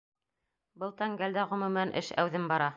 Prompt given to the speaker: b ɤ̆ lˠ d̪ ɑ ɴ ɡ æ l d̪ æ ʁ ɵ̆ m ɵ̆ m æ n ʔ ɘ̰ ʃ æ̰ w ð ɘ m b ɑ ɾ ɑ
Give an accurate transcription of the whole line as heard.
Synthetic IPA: b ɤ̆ lˠ t̪ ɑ ŋ ɡ æ l d̪ æ ʁ ɵ̆ m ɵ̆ m æ n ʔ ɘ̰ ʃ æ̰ w ð ɘ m b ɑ ɾ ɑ